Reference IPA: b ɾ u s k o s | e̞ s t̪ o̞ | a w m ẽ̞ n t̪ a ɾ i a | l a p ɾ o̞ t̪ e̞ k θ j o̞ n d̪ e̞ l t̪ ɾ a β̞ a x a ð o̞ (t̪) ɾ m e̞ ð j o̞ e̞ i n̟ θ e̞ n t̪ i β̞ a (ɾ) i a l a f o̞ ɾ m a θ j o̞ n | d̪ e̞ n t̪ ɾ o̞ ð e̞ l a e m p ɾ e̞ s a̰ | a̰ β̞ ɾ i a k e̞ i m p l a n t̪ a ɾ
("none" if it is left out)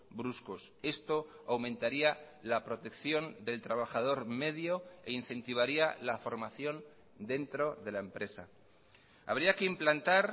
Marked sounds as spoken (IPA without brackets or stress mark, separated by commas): none, ɾ